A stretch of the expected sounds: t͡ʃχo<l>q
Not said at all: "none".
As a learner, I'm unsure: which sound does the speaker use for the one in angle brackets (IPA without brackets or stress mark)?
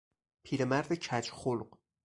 l